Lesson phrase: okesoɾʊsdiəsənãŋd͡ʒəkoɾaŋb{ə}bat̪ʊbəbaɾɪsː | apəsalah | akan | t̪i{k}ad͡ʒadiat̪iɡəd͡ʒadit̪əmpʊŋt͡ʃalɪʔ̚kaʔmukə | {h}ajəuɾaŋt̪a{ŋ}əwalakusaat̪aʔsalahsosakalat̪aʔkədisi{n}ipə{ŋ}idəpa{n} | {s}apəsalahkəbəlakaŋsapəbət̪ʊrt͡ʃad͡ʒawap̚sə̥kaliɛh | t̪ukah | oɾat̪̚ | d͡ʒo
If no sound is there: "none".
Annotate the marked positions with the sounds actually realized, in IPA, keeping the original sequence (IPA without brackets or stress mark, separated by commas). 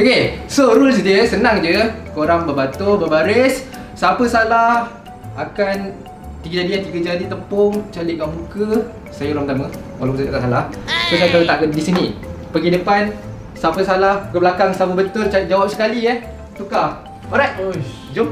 ə, ɡ, s, m, n, ɡ, n, s